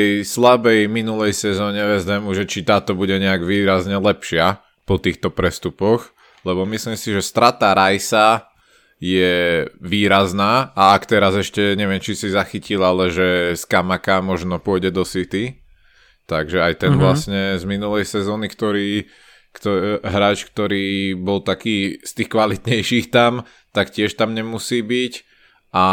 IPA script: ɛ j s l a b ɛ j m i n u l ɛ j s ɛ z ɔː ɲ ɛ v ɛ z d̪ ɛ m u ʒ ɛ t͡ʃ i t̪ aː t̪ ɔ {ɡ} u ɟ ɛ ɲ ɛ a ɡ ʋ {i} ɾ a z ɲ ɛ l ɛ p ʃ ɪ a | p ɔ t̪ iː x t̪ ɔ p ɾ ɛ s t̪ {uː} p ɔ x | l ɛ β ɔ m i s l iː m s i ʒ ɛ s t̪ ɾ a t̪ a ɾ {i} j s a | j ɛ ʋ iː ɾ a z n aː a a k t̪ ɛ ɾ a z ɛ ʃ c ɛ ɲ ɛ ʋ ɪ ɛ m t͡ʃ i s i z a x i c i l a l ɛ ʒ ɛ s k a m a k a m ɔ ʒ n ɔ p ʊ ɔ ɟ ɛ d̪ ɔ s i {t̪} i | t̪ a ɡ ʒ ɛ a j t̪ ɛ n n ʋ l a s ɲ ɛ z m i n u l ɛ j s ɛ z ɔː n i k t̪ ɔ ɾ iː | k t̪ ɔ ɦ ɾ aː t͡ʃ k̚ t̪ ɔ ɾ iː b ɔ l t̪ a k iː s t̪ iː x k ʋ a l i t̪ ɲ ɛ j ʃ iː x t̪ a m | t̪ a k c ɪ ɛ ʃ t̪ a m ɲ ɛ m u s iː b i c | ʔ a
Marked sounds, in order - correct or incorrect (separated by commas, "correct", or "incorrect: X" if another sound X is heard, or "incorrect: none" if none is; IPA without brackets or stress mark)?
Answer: incorrect: b, incorrect: iː, incorrect: u, incorrect: a, correct